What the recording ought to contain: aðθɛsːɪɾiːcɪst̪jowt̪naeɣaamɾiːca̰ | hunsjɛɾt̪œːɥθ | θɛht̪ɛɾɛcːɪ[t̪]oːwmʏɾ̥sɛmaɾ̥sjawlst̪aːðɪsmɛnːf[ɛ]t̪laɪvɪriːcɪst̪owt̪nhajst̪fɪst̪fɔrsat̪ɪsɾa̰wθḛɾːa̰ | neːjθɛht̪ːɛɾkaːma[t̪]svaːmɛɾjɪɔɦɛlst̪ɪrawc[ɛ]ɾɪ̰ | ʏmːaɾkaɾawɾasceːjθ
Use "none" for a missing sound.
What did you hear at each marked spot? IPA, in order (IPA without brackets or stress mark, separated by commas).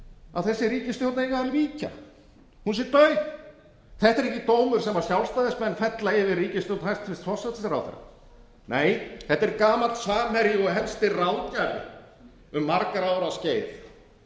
t̪, ɛ, t̪, a